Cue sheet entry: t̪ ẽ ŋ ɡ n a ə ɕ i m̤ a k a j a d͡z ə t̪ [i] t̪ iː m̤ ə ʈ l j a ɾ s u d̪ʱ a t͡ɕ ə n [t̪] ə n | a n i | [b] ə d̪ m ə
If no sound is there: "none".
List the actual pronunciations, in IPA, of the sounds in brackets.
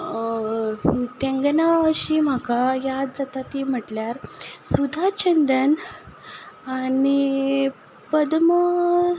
a, d̪, p

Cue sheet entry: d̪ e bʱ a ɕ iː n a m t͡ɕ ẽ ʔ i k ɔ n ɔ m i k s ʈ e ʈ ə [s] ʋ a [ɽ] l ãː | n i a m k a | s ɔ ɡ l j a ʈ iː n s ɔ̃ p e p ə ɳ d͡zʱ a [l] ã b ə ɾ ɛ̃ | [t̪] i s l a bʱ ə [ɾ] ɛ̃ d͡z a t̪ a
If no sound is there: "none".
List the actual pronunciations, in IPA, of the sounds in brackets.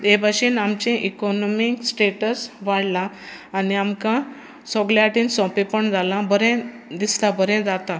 s, ɽ, l, d̪, ɾ

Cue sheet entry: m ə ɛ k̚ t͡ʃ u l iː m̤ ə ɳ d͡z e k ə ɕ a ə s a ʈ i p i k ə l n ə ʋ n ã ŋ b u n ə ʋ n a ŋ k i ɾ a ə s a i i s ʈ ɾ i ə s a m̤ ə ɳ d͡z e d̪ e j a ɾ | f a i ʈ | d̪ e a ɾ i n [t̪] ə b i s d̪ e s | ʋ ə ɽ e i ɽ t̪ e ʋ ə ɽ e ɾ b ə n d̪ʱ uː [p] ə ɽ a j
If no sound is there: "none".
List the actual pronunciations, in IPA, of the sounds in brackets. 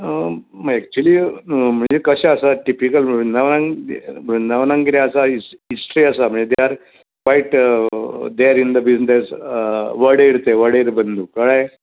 d̪, k

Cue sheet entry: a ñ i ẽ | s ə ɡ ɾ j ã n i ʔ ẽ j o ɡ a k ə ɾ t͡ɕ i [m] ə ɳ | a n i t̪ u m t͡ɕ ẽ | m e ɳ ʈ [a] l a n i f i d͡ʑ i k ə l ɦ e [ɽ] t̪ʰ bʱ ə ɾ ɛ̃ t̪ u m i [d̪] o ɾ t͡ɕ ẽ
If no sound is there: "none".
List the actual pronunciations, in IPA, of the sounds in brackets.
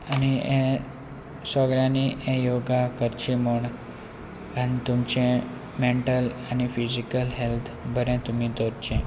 m, ə, l, d̪

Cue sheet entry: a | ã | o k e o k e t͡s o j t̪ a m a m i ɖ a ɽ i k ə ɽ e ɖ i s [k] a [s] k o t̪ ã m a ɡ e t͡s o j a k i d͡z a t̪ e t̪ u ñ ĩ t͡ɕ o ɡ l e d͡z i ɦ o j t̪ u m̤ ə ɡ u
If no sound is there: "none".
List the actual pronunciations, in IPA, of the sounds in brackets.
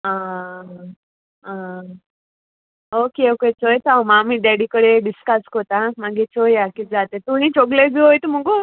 k, s

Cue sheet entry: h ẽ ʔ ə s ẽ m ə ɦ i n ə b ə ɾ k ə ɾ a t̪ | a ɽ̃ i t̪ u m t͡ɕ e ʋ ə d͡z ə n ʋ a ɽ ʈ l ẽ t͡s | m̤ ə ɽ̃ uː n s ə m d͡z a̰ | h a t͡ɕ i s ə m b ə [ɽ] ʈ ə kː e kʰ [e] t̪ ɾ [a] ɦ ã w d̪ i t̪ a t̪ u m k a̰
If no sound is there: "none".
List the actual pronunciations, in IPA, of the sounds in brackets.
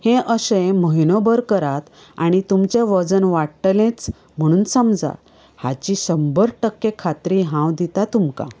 ɾ, a, i

